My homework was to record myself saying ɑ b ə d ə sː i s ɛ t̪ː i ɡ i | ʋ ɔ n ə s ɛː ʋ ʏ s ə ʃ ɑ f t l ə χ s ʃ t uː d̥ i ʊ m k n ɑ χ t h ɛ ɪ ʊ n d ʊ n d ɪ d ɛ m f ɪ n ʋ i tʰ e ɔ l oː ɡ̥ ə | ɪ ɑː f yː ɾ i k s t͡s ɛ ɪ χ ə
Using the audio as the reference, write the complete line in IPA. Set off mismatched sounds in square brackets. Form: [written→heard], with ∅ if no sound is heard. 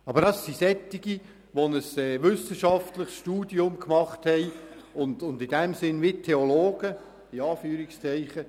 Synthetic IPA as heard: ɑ b ə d [ə→ɑ] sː i s ɛ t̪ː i ɡ i | ʋ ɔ n ə s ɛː ʋ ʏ s ə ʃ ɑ f t l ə χ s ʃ t uː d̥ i ʊ m k [n→m] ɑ χ t h ɛ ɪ ʊ n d ʊ n d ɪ d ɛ m [f→s] ɪ n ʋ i tʰ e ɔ l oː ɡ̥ ə | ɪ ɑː f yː ɾ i k s t͡s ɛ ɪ χ ə